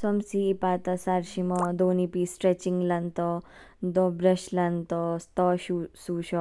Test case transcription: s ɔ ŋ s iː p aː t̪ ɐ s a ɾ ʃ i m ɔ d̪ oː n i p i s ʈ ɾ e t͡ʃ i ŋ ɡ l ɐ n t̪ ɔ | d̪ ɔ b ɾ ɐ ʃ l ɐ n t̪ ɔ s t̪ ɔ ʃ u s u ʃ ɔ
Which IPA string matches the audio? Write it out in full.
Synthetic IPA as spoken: s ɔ m s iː p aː t̪ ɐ s a ɾ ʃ i m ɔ d̪ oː n i p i s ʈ ɾ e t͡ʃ i ŋ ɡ l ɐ n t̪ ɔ | d̪ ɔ b ɾ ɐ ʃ l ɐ n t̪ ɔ s t̪ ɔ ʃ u s u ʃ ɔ